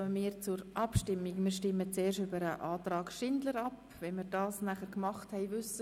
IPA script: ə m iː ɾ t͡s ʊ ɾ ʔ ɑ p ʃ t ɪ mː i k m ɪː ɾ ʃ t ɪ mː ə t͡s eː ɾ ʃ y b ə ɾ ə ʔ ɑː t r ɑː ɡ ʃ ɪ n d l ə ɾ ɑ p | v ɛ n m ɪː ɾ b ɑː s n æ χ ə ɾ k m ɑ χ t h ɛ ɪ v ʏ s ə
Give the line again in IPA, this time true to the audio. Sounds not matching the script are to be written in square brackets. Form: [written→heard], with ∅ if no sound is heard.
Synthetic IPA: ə m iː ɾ t͡s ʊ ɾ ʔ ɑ p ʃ t ɪ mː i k m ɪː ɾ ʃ t ɪ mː ə t͡s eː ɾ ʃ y b ə ɾ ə ʔ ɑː t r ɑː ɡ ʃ ɪ n d l ə ɾ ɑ p | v ɛ n m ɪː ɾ [b→d] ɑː s n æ χ ə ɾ k m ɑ χ t h ɛ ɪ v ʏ s ə